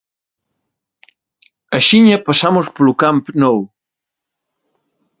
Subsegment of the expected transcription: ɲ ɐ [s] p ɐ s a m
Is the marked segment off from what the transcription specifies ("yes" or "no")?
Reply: yes